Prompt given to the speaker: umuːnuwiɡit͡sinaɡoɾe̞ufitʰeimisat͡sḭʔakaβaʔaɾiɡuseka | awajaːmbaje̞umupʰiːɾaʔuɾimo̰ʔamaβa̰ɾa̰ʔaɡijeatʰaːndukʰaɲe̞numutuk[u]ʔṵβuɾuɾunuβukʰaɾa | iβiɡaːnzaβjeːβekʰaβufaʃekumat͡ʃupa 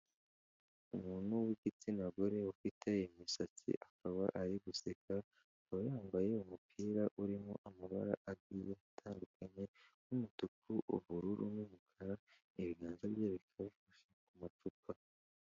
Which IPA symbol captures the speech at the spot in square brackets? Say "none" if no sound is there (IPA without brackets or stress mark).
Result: u